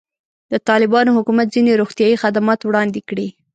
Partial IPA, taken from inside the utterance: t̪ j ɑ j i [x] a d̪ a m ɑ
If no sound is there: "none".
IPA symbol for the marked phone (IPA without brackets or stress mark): x